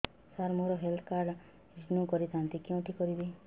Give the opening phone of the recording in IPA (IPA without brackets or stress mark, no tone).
s